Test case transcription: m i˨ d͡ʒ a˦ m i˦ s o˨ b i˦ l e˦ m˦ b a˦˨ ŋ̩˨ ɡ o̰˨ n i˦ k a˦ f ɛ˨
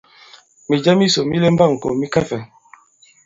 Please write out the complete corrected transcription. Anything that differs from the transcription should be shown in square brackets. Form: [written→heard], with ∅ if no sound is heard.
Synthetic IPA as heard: m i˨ d͡ʒ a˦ m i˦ s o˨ [b→m] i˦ l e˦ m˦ b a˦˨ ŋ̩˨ [ɡ→k] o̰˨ [n→m] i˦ k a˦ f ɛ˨